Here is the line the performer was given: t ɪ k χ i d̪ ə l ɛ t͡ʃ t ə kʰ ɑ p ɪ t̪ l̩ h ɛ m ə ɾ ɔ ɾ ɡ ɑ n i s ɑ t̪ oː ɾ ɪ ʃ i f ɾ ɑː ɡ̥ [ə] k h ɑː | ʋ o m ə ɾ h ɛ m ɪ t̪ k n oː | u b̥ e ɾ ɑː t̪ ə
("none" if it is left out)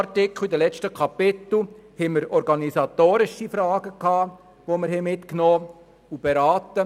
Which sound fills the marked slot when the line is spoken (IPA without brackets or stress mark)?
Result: ə